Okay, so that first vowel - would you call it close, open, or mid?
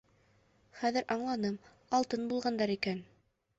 open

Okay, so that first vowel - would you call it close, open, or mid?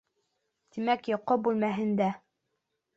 close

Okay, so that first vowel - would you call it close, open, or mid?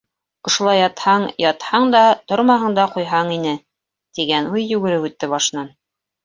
mid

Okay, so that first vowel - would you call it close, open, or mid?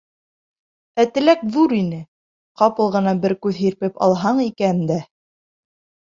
open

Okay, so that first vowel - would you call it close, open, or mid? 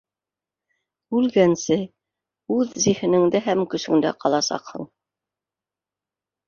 close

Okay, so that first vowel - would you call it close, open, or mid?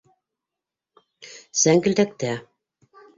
open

